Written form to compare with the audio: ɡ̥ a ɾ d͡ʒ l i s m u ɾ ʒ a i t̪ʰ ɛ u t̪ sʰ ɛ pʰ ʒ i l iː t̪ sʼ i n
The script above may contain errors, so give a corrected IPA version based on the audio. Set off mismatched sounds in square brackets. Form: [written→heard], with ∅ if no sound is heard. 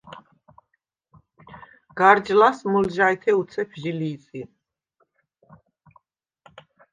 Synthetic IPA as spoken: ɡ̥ a ɾ d͡ʒ l [i→a] s m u [ɾ→l] ʒ a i t̪ʰ ɛ u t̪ sʰ ɛ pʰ ʒ i l iː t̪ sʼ i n